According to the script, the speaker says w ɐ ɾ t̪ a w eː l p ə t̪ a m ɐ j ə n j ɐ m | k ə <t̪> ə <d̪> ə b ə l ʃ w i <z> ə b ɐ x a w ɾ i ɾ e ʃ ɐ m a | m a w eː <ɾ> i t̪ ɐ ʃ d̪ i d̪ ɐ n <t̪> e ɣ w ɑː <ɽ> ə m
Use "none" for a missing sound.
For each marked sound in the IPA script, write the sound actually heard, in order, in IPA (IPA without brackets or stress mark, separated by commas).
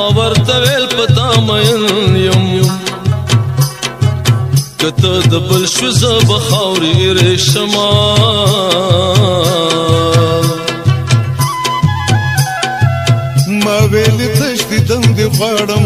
t̪, d̪, z, l, d̪, ɽ